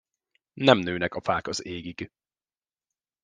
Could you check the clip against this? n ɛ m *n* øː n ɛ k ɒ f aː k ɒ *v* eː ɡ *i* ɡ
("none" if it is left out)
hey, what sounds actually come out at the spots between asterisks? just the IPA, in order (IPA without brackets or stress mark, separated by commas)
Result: n, z, i